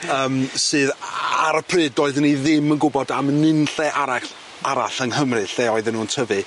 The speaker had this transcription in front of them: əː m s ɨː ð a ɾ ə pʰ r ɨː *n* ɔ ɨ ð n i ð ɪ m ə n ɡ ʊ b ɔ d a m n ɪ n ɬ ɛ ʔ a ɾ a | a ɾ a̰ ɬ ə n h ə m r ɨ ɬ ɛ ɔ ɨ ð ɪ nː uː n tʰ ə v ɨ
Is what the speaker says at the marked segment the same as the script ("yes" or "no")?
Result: no